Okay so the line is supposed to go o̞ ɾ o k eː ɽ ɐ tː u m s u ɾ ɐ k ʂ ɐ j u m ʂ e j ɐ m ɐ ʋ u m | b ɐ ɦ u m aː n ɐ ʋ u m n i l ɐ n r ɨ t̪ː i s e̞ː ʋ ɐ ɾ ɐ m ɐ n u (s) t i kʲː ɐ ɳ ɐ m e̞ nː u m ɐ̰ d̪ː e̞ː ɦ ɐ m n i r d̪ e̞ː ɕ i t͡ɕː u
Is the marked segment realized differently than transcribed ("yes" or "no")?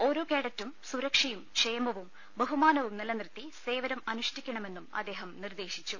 yes